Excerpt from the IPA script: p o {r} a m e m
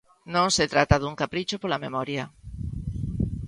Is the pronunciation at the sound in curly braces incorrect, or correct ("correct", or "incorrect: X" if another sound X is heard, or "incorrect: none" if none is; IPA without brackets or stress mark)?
incorrect: l